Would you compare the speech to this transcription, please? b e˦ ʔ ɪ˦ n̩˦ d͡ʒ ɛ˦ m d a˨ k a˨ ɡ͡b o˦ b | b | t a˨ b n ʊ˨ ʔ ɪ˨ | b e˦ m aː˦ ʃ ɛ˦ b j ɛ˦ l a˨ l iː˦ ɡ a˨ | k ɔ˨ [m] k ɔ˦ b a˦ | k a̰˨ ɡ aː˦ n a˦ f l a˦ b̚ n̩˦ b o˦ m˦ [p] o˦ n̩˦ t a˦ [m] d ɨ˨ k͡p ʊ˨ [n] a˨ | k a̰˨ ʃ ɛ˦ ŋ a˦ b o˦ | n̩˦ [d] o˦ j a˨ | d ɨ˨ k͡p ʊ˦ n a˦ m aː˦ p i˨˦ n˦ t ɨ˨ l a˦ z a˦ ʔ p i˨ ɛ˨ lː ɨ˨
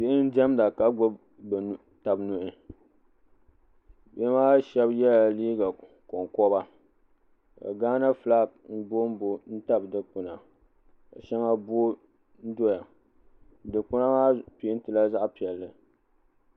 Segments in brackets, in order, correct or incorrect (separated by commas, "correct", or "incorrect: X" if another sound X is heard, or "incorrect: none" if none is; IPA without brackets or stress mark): incorrect: ŋ, incorrect: b, incorrect: b, correct, correct